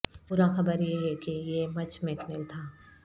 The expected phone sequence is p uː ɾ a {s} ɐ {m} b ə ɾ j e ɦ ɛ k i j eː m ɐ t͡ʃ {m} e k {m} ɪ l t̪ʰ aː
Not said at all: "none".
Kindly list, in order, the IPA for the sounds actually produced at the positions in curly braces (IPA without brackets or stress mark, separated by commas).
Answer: x, none, m, m